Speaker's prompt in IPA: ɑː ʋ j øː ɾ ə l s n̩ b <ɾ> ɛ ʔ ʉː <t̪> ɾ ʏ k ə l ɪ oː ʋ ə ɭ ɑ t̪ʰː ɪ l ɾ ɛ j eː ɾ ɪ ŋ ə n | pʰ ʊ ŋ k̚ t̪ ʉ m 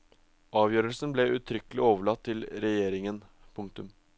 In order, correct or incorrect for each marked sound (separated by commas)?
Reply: incorrect, incorrect